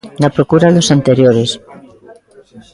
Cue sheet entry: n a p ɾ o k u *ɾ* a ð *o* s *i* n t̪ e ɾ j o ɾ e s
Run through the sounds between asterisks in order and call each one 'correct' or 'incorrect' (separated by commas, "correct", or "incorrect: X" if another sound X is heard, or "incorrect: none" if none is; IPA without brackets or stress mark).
correct, correct, incorrect: a